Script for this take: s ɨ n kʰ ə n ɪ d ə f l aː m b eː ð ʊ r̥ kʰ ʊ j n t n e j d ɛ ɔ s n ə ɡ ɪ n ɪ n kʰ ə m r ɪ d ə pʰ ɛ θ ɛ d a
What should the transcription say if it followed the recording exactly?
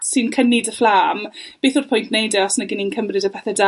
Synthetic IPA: s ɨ n kʰ ə n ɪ d ə f l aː m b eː θ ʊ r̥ pʰ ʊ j n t n e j d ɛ ɔ s n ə ɡ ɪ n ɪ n kʰ ə m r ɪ d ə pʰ ɛ θ ɛ d a